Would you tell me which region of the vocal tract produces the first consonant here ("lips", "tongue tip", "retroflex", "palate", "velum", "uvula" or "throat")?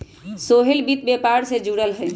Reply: tongue tip